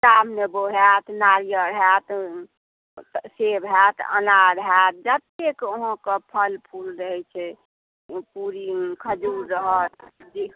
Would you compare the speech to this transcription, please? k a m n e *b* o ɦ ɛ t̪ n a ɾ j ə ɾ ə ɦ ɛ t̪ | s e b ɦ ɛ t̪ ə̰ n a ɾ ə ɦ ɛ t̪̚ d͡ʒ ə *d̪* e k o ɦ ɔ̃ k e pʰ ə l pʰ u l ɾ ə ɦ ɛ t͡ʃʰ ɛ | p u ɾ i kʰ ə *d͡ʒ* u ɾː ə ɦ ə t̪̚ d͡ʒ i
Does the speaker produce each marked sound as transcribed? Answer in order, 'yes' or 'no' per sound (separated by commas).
yes, no, yes